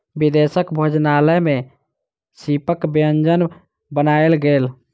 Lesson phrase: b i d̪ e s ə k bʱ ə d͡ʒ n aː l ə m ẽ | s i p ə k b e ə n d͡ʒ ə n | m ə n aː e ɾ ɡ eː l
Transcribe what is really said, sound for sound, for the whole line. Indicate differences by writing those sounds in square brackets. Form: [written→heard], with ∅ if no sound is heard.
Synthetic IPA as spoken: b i d̪ e s ə k bʱ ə d͡ʒ n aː l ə m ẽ | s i p ə k b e ə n d͡ʒ ə n | [m→b] ə n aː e [ɾ→l] ɡ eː l